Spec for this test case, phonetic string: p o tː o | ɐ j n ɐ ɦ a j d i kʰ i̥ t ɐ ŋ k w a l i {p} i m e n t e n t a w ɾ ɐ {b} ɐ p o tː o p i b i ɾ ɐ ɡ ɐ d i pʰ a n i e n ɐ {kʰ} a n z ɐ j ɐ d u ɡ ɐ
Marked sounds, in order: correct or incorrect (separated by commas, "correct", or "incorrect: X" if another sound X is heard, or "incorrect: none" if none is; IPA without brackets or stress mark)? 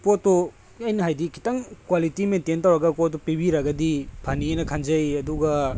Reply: incorrect: t, incorrect: ɡ, correct